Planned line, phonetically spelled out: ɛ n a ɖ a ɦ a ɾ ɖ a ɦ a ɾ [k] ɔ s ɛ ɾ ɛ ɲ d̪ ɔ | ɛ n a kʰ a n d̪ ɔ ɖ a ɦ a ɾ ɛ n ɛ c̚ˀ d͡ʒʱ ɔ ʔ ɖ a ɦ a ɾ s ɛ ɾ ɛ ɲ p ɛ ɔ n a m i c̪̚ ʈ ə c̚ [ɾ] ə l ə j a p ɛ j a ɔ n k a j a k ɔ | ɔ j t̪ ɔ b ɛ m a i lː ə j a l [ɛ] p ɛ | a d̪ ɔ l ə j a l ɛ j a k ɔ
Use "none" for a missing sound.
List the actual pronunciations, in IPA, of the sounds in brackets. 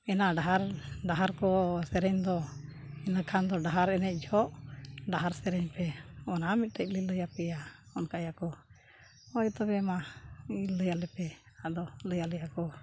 k, l, ɛ

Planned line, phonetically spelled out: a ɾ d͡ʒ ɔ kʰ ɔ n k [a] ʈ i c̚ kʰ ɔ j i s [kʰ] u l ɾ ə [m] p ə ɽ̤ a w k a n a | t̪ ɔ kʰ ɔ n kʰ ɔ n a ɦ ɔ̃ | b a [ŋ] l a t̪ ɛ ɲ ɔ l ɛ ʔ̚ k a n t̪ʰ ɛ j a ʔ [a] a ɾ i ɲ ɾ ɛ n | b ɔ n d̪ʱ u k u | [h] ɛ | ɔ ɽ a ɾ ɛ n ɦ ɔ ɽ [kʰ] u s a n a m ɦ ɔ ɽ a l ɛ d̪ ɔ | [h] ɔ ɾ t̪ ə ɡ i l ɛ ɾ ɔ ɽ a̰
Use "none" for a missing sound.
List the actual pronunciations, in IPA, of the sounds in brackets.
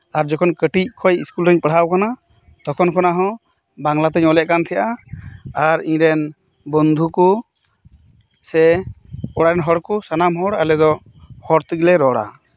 ə, k, ɲ, ŋ, a, s, k, h

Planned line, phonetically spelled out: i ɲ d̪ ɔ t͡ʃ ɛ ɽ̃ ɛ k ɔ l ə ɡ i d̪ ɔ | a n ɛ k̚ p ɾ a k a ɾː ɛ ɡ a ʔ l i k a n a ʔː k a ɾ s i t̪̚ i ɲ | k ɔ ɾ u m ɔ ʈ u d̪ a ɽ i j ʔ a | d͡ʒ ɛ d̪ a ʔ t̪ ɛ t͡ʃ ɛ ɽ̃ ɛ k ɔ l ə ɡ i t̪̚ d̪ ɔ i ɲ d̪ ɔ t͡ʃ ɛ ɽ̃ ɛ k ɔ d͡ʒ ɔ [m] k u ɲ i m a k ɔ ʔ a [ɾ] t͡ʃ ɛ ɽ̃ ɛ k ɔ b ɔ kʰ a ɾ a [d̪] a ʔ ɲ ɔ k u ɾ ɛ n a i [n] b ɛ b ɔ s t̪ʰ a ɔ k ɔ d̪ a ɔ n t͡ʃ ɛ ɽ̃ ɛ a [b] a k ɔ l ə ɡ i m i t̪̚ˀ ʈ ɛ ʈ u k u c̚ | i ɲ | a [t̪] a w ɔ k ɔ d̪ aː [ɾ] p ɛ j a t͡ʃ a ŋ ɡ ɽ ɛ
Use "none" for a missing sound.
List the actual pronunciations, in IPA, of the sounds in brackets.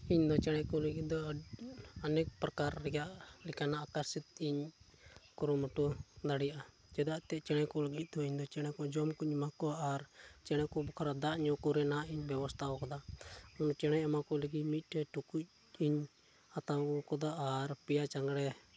m, ɾ, d̪, ɲ, m, t̪, ɾ

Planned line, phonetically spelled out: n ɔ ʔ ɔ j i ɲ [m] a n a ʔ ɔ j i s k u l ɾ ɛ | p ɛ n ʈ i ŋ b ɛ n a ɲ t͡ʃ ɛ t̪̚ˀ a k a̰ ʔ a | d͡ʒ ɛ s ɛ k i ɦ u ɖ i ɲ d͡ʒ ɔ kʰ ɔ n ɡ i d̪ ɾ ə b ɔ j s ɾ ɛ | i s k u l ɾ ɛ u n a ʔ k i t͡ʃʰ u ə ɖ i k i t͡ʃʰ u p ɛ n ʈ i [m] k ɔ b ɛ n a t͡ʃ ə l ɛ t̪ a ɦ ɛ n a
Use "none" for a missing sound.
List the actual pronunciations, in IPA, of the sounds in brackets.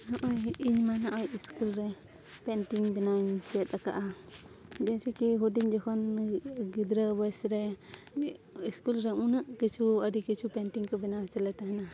m, ŋ

